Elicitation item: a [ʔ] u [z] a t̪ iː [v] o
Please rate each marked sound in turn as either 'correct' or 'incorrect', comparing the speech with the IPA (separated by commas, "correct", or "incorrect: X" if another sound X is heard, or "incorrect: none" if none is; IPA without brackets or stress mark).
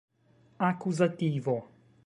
incorrect: k, correct, correct